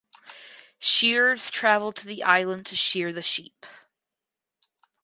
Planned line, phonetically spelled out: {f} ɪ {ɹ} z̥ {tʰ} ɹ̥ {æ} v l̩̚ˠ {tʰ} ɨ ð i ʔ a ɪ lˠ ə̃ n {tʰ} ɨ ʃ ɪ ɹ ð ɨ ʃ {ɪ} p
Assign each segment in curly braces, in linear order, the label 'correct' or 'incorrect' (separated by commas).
incorrect, correct, correct, correct, correct, correct, incorrect